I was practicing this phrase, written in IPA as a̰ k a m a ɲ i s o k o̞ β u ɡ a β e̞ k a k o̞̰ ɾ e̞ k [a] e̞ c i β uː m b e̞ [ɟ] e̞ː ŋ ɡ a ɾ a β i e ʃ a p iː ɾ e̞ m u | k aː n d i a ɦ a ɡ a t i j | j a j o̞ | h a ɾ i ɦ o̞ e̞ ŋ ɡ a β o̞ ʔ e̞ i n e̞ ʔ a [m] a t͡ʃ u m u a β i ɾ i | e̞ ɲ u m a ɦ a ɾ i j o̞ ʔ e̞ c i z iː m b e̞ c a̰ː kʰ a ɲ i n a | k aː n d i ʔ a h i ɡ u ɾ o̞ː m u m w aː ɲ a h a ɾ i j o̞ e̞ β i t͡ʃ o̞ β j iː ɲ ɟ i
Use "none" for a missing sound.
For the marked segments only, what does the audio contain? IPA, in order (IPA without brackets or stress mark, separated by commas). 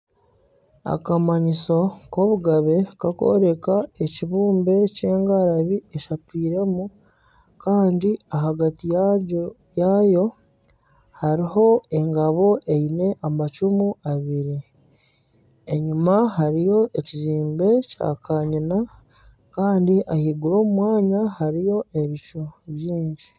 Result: a, c, m